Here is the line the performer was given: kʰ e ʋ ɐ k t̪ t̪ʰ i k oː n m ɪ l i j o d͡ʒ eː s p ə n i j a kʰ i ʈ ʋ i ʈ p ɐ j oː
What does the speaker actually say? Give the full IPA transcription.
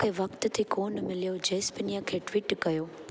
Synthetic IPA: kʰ e ʋ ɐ k t̪ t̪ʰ i k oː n m ɪ l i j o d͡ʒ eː s p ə n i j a kʰ e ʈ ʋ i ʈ k ɐ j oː